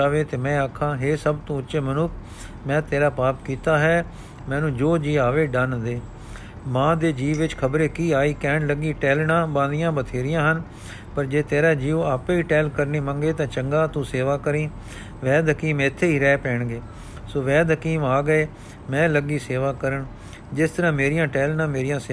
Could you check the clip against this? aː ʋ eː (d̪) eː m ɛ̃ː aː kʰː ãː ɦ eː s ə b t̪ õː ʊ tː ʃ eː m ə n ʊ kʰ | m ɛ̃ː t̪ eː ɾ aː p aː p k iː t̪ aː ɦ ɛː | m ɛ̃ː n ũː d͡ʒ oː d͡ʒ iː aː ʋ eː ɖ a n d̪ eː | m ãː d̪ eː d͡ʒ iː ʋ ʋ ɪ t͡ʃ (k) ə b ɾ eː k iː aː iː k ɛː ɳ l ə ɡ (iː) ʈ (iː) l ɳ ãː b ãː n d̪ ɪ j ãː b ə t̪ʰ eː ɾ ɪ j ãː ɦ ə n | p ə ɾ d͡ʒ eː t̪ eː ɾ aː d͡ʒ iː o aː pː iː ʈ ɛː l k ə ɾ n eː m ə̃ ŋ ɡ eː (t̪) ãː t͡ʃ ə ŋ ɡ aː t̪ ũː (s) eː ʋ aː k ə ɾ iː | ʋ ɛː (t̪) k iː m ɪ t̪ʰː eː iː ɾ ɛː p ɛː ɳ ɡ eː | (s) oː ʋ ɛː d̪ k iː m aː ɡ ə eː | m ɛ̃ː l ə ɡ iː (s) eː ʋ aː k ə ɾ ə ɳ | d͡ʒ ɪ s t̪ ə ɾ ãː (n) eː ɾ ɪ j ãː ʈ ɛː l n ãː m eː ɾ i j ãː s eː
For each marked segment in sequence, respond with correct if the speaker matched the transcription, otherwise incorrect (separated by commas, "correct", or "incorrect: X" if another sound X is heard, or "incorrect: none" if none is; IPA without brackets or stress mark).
incorrect: t̪, incorrect: kʰ, correct, incorrect: ɛː, correct, correct, incorrect: d̪, correct, correct, incorrect: m